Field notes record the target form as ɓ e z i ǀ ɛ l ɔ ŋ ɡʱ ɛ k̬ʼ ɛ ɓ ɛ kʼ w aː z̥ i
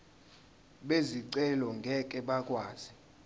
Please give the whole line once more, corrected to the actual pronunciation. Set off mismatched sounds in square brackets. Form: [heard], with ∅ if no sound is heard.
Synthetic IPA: ɓ e z i ǀ ɛ l ɔ ŋ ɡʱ ɛ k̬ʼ ɛ ɓ [a] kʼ w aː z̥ i